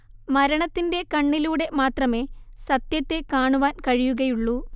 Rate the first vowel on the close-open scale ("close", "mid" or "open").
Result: open